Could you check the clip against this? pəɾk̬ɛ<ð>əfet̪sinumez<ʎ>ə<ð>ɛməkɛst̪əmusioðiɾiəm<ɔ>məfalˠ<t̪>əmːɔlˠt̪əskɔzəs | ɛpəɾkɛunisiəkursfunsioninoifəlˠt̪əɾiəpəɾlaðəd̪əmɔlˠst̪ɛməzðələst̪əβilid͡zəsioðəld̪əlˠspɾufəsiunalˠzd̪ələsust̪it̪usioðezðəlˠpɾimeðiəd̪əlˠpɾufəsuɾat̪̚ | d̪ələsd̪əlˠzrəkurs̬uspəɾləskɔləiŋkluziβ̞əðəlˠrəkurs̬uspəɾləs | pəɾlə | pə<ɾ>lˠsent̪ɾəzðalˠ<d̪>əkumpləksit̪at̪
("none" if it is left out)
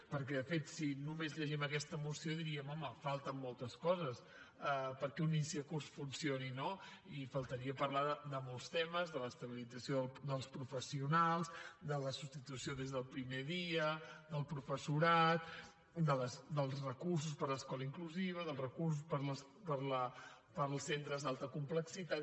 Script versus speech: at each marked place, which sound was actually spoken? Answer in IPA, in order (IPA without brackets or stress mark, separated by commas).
ð, ʎ, ʒ, ɔ, t̪, ɾ, t̪